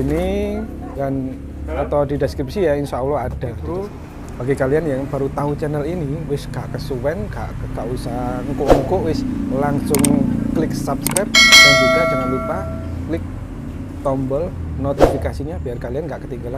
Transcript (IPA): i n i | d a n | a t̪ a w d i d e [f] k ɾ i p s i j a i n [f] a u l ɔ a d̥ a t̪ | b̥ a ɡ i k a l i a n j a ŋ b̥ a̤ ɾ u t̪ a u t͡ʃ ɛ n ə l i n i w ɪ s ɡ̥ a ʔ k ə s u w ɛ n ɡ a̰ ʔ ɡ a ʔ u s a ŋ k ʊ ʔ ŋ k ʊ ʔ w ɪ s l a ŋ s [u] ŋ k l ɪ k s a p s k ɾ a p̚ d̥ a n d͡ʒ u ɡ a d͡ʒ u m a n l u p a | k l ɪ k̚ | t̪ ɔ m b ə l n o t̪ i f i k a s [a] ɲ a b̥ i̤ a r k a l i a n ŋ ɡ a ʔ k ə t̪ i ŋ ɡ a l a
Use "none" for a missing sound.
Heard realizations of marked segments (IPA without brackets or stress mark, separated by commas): s, s, ʊ, i